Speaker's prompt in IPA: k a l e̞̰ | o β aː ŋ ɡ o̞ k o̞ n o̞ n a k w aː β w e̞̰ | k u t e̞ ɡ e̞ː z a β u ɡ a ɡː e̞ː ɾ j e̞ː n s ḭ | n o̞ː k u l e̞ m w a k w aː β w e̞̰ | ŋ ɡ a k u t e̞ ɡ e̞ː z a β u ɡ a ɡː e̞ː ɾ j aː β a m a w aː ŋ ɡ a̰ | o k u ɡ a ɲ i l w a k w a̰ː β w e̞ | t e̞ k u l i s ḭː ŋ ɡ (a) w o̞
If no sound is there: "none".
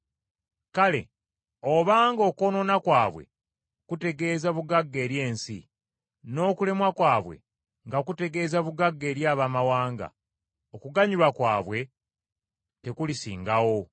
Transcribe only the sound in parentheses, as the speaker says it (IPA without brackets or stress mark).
a